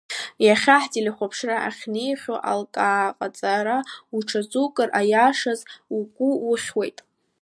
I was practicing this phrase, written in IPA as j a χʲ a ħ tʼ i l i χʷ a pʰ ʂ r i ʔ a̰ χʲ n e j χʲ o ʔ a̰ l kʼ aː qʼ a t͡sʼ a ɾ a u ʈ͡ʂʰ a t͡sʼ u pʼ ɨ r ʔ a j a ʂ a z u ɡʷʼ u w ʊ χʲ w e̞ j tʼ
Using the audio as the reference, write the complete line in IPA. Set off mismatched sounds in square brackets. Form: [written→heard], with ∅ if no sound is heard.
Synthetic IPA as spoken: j a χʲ a ħ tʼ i l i χʷ a pʰ ʂ r [i→a] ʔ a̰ χʲ n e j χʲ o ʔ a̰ l kʼ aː qʼ a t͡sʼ a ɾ a u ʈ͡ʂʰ a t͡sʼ u [pʼ→kʼ] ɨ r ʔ a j a ʂ a z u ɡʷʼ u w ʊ χʲ w e̞ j tʼ